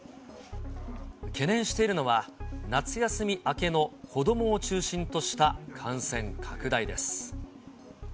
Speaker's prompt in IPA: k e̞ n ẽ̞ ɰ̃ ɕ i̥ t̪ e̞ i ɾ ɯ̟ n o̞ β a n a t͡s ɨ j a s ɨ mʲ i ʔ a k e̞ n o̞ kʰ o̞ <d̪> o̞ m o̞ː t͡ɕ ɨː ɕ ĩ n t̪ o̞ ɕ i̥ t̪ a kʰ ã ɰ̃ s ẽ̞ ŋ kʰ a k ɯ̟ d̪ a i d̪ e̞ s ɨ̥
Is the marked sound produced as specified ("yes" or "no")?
yes